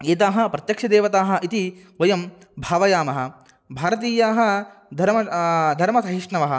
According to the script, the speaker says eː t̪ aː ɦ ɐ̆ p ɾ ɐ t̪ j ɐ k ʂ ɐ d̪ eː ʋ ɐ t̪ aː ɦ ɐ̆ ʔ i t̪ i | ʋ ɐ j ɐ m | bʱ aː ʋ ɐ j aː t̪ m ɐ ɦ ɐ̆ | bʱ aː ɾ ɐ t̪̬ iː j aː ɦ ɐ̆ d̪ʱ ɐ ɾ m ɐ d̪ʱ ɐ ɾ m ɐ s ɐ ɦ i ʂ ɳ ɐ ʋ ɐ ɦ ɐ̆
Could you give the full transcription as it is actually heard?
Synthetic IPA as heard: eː t̪ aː ɦ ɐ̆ p ɾ ɐ t̪ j ɐ k ʂ ɐ d̪ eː ʋ ɐ t̪ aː ɦ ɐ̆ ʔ i t̪ i | ʋ ɐ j ɐ m | bʱ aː ʋ ɐ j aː m ɐ ɦ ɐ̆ | bʱ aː ɾ ɐ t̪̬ iː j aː ɦ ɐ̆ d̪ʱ ɐ ɾ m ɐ d̪ʱ ɐ ɾ m ɐ s ɐ ɦ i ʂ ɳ ɐ ʋ ɐ ɦ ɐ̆